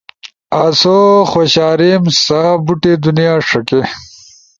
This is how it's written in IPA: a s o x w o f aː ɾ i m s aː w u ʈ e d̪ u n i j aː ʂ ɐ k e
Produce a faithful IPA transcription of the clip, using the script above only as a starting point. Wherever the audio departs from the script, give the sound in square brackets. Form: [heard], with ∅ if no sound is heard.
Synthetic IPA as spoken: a s o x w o [ɕ] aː ɾ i m s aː [b] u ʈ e d̪ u n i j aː ʂ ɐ k e

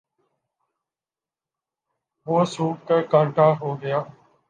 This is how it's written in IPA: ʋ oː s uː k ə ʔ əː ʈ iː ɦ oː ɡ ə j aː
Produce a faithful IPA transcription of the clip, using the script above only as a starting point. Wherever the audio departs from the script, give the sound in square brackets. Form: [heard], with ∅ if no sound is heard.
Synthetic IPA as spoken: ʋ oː s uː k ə [k] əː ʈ [aː] ɦ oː ɡ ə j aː

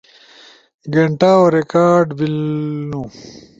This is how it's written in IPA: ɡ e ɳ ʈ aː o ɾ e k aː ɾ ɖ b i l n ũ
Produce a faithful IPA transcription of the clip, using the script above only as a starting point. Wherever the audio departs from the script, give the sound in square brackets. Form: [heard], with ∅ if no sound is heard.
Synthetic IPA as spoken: ɡ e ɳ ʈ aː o ɾ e k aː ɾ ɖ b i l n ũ

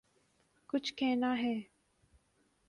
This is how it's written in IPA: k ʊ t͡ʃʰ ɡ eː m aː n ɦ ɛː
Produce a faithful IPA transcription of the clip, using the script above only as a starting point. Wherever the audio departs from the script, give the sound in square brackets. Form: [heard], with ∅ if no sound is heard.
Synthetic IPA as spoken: k ʊ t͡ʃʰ [k] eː [n] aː [∅] ɦ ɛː

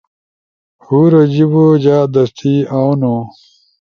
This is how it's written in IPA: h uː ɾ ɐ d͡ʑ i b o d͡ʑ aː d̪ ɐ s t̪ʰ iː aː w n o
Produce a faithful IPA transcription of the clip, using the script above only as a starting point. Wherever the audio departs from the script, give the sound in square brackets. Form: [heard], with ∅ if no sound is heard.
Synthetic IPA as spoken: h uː ɾ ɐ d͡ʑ i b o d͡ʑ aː d̪ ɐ s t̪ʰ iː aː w n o

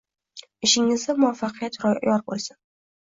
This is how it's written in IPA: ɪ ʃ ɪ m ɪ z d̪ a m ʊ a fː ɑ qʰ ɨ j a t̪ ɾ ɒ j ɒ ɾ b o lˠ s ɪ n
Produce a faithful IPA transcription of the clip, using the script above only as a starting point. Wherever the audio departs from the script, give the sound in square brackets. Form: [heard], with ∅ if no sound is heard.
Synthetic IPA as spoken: ɪ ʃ ɪ [ŋ] ɪ z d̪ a m ʊ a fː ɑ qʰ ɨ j a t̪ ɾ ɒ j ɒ ɾ b o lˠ s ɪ n

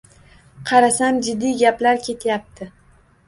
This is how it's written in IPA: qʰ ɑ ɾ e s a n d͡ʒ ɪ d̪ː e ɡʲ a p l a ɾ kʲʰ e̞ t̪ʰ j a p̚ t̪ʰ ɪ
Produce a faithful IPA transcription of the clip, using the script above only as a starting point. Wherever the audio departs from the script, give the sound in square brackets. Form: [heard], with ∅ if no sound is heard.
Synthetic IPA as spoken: qʰ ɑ ɾ [a] s a [m] d͡ʒ ɪ d̪ː [i] ɡʲ a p l a ɾ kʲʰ e̞ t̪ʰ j a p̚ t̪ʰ ɪ

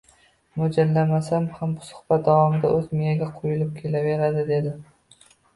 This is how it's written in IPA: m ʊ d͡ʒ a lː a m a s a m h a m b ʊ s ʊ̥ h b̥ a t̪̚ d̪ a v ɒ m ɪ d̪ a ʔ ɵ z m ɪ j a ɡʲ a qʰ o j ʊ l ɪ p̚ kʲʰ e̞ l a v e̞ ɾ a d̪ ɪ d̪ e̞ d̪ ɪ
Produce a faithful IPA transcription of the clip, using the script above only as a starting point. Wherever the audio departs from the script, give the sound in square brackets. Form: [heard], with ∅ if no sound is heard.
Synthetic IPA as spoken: m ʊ d͡ʒ a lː a m a s a m h a m b ʊ s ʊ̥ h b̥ a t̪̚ d̪ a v ɒ m ɪ d̪ a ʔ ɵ z m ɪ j a ɡʲ a qʰ o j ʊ l ɪ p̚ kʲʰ e̞ l a v e̞ ɾ a d̪ ɪ d̪ e̞ d̪ ɪ

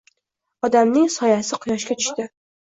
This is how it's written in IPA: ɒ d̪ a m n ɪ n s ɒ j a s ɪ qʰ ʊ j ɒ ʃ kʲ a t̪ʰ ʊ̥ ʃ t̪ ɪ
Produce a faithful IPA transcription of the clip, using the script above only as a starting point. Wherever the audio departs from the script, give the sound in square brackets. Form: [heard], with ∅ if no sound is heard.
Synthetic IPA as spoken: ɒ d̪ a m n ɪ [ŋ] s ɒ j a s ɪ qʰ ʊ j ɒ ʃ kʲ a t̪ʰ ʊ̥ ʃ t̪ ɪ

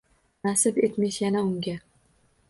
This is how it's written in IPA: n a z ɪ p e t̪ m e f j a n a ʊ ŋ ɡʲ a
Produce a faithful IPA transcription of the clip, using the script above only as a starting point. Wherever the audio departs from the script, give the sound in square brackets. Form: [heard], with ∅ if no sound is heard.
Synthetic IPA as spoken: n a [s] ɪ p e t̪ m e [ʃ] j a n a ʊ ŋ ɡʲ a

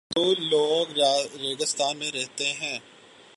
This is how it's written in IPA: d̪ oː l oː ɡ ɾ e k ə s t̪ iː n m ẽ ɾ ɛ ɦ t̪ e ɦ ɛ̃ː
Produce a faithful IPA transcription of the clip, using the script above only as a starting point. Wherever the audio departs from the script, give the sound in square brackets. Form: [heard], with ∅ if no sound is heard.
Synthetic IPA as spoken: d̪ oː l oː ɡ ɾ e [ɡ] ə s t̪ [aː] n m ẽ ɾ ɛ ɦ t̪ e ɦ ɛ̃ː

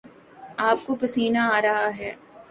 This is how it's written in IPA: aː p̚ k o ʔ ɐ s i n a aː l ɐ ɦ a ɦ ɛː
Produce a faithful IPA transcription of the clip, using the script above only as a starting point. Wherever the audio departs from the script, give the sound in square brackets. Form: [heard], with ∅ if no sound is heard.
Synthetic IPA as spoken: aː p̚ k o [p] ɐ s [iː] n a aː [ɾ] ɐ ɦ a ɦ ɛː

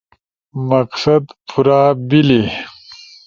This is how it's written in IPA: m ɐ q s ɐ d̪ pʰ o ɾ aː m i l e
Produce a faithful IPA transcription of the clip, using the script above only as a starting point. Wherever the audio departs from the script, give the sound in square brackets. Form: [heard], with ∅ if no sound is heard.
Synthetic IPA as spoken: m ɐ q s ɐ d̪ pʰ [u] ɾ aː [b] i l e

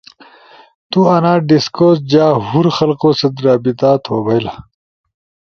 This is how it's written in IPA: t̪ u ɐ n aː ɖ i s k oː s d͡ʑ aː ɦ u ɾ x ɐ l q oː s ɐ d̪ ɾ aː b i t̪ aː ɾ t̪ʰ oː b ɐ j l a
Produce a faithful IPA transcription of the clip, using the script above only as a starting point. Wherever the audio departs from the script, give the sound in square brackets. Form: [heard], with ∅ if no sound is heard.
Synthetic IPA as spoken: t̪ u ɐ n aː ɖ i s k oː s d͡ʑ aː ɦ u ɾ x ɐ l q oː s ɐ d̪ ɾ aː b i t̪ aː [∅] t̪ʰ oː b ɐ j l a

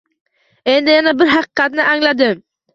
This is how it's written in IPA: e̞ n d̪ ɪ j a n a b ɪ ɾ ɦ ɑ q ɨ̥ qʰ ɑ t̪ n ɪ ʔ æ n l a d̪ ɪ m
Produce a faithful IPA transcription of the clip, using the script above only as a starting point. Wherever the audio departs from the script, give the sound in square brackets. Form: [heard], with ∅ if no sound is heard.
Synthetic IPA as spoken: e̞ n d̪ ɪ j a n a b ɪ ɾ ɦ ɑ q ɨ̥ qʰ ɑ t̪ n ɪ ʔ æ [ŋ] l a d̪ ɪ m

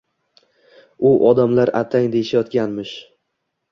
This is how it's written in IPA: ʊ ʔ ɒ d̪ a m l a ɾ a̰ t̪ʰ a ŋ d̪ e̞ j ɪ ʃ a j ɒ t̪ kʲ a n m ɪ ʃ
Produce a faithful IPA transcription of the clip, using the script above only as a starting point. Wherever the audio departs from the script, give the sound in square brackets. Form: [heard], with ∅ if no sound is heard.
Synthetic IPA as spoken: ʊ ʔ ɒ d̪ a m l a ɾ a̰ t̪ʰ a ŋ d̪ e̞ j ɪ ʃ a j ɒ t̪ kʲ a n m ɪ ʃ

